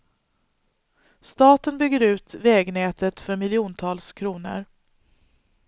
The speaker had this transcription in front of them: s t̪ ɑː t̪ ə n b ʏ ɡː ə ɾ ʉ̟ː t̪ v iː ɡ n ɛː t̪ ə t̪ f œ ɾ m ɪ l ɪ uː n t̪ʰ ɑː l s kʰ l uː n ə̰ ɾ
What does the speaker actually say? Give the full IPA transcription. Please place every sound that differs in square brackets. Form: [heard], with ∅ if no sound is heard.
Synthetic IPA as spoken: s t̪ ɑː t̪ ə n b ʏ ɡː ə ɾ ʉ̟ː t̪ v [ɛː] ɡ n ɛː t̪ ə t̪ f œ ɾ m ɪ l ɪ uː n t̪ʰ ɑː l s kʰ [ɾ] uː n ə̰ ɾ